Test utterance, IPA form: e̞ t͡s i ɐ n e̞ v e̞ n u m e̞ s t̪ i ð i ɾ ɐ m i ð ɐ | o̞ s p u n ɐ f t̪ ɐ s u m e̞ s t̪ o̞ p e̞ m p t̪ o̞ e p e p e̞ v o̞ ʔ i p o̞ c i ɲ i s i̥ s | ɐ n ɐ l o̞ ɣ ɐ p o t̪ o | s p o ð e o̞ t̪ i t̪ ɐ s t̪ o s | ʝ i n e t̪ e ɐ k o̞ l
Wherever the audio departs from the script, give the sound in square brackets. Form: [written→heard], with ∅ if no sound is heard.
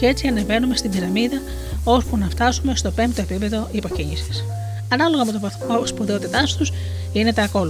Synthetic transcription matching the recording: e̞ t͡s i ɐ n e̞ v e̞ n u m e̞ s t̪ i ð i ɾ ɐ m i ð ɐ | o̞ s p u n ɐ f t̪ ɐ s u m e̞ s t̪ o̞ p e̞ m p t̪ o̞ e p [e→i] p e̞ [v→ð] o̞ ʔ i p o̞ c i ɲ i s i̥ s | ɐ n ɐ l o̞ ɣ ɐ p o t̪ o | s p o ð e o̞ t̪ i t̪ ɐ s t̪ [o→u] s | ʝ i n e t̪ e ɐ k o̞ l